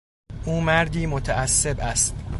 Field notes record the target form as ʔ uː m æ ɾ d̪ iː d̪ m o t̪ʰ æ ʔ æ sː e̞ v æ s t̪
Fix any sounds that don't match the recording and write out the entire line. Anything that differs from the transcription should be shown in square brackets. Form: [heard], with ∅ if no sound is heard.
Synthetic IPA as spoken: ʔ uː m æ ɾ d̪ iː [∅] m o t̪ʰ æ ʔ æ sː e̞ [b] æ s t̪

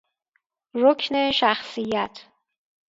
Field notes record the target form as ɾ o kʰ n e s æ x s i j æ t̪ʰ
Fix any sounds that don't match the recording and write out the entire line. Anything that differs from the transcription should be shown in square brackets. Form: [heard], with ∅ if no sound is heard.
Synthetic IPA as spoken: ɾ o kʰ n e [ʃ] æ x s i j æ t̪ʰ

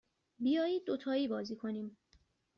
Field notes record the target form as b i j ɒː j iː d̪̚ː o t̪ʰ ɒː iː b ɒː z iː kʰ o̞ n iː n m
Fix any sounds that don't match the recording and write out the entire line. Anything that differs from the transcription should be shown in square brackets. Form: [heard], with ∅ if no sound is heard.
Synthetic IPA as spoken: b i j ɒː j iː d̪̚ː o t̪ʰ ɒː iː b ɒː z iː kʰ o̞ n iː [∅] m

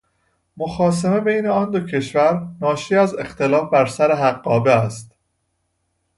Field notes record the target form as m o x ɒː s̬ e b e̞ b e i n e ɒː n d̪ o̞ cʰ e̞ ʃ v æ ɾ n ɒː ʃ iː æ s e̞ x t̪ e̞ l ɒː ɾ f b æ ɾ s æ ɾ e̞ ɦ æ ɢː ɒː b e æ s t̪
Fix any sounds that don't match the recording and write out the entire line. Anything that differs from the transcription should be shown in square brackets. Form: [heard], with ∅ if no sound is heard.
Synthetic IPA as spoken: m o x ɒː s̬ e [m] e̞ b e [j] n e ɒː n d̪ o̞ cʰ e̞ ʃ v æ ɾ n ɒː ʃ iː æ [z] e̞ x t̪ e̞ l ɒː [∅] f b æ ɾ s æ ɾ e̞ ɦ æ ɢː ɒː b e æ s t̪

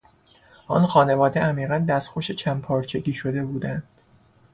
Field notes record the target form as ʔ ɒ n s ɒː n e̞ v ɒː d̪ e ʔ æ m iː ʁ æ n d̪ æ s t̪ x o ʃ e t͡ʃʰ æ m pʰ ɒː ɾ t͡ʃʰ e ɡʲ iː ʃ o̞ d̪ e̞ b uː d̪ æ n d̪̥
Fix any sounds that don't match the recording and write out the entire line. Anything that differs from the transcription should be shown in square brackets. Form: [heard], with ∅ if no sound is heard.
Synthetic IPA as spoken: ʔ ɒ n [x] ɒː n e̞ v ɒː d̪ e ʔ æ m iː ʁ æ n d̪ æ s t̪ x o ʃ e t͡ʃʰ æ m pʰ ɒː ɾ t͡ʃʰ e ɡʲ iː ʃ o̞ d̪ e̞ b uː d̪ æ n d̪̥

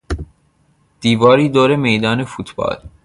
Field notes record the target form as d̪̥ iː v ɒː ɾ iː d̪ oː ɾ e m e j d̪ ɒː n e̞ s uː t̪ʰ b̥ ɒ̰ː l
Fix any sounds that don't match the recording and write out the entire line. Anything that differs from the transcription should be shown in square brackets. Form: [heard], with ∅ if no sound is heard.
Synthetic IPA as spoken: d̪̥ iː v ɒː ɾ iː d̪ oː ɾ e m e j d̪ ɒː n e̞ [f] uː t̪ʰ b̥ ɒ̰ː l

